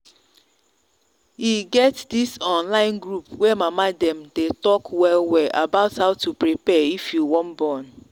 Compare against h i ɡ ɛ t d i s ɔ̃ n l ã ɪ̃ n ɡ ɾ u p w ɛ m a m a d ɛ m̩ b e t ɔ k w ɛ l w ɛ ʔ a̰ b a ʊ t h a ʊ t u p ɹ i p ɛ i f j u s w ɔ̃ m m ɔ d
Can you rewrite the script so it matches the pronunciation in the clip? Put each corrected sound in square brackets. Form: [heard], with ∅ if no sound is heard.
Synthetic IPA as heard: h i ɡ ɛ t d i s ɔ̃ n l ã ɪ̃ n ɡ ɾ u p w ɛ m a m a d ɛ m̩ [d] e t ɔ k w ɛ l w ɛ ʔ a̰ b a ʊ t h a ʊ t u p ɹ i p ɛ i f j u [∅] w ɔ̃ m [b] ɔ [n]